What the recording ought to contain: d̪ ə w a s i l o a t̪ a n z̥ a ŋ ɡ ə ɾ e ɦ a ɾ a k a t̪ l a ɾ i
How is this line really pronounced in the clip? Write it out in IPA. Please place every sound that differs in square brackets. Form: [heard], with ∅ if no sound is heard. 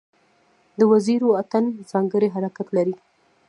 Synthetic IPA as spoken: d̪ ə w a [z] i [ɾ] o a t̪ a n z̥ [ɑ] ŋ ɡ ə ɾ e ɦ a ɾ a k a t̪ l a ɾ i